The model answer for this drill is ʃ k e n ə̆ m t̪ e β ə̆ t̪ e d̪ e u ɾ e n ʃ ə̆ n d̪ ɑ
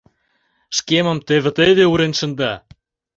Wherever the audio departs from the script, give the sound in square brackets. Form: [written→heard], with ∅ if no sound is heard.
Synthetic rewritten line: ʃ k e [n→m] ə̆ m t̪ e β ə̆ t̪ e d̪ e u ɾ e n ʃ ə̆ n d̪ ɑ